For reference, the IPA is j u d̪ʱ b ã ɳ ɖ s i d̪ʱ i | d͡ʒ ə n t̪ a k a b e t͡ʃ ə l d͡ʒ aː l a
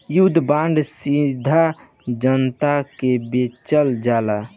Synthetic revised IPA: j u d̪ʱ b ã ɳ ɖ s i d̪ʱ a | d͡ʒ ə n t̪ a k e b e t͡ʃ ə l d͡ʒ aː l a